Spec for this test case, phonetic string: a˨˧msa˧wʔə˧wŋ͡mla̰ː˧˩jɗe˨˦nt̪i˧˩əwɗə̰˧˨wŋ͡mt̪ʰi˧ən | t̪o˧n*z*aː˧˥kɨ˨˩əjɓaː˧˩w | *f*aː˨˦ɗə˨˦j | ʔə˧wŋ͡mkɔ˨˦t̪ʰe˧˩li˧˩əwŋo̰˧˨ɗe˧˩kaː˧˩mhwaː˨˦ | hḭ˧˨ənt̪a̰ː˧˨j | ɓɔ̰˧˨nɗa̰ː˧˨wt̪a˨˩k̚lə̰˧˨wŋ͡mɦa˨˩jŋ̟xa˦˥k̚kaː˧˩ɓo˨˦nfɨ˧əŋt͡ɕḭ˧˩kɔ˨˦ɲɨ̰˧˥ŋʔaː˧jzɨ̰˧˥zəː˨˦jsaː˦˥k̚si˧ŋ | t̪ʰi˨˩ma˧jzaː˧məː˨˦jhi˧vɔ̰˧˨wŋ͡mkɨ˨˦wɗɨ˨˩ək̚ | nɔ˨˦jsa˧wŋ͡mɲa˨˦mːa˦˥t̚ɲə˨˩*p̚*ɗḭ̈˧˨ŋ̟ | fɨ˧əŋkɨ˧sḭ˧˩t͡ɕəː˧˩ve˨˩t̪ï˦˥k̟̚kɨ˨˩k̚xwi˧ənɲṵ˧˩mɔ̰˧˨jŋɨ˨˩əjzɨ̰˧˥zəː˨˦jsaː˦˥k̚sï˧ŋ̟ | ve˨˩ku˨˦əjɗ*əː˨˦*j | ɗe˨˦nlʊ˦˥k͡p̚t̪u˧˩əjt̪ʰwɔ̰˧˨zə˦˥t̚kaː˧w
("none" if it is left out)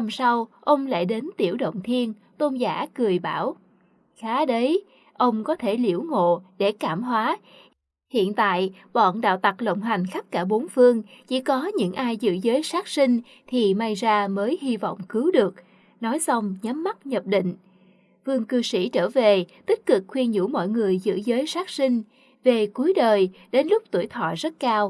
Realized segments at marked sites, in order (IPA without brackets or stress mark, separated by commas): z, x, p̚, əː˨˩